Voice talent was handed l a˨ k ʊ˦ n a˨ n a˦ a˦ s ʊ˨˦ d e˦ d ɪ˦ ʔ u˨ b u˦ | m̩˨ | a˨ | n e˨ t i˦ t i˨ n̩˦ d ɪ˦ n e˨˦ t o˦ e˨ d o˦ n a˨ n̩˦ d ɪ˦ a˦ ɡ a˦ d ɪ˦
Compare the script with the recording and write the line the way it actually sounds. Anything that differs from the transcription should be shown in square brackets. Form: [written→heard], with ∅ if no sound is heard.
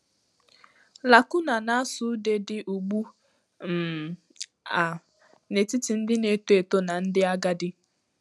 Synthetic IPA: l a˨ k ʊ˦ n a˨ n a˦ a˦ s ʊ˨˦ d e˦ d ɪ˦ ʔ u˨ [b→ɡ͡b] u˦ | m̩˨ | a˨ | n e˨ t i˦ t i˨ n̩˦ d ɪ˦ n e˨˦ t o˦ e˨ [d→t] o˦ n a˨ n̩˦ d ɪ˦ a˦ ɡ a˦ d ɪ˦